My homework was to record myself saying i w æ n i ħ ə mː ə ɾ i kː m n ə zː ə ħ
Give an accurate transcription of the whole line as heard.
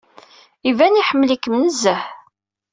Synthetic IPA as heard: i v æ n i ħ ə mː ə l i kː m n ə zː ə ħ